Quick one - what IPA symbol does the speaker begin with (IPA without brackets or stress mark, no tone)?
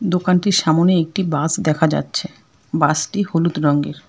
d̪